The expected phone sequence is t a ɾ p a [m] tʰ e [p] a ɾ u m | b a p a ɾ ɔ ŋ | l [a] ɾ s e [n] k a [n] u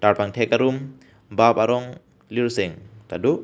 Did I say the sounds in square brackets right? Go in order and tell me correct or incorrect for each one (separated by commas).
incorrect, incorrect, incorrect, incorrect, incorrect